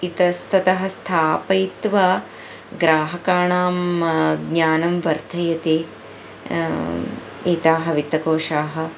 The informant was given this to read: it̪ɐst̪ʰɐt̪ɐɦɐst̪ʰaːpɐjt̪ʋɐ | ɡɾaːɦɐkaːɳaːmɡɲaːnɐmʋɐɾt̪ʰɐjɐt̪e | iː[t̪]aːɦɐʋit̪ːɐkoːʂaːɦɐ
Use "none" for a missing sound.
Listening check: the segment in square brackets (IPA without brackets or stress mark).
t̪